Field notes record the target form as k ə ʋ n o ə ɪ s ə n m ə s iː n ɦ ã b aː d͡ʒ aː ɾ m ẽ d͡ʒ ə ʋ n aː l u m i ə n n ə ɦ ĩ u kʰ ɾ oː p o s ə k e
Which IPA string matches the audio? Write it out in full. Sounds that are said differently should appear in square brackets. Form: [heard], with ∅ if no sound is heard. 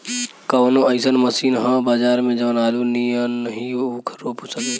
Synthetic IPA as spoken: k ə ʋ n o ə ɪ s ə n m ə s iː n ɦ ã b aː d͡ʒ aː ɾ m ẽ d͡ʒ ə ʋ n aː l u [n] i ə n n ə ɦ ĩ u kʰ ɾ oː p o s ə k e